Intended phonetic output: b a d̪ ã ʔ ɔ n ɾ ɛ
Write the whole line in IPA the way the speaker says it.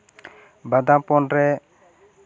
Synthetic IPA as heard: b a d̪ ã p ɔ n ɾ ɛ